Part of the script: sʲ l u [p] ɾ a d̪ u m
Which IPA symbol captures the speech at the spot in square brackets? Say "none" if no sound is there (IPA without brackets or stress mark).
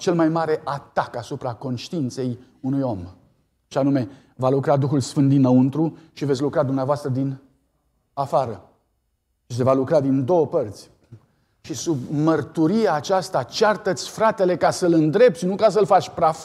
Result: k